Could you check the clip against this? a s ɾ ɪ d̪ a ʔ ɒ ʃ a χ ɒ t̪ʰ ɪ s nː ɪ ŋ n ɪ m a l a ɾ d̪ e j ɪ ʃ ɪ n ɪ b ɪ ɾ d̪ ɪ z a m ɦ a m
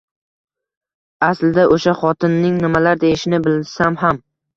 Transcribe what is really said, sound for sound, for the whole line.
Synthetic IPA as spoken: a s l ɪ d̪ a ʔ o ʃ a χ ɒ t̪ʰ ɪ nː ɪ ŋ n ɪ m a l a ɾ d̪ e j ɪ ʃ ɪ n ɪ b ɪ l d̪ ɪ s a m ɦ a m